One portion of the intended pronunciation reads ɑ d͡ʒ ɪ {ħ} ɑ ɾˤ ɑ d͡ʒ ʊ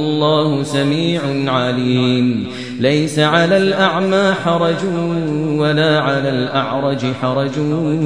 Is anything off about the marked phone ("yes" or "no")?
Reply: no